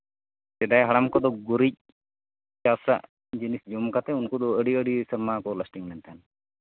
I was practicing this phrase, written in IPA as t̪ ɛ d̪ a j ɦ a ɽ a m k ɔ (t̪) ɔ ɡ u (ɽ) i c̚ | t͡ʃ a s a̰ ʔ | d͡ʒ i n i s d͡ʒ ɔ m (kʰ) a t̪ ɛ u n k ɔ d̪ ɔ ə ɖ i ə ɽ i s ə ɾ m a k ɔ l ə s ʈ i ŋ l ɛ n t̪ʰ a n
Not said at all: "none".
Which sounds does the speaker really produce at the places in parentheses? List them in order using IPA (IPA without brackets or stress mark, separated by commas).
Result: d̪, ɾ, k